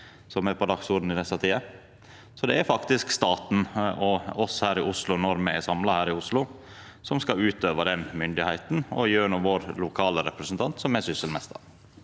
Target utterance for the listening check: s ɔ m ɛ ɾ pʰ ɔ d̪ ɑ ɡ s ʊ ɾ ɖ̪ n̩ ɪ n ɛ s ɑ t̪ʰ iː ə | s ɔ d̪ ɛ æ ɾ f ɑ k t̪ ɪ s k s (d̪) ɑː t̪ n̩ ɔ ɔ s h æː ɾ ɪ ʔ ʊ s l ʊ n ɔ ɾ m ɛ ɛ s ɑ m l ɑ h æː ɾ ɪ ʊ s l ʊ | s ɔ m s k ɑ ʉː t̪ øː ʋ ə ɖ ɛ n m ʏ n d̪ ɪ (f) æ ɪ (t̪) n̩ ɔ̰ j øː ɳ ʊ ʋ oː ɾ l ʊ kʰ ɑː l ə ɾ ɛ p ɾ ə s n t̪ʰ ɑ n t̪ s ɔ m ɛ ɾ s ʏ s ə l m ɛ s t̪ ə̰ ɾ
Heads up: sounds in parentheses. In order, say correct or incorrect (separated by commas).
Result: incorrect, incorrect, correct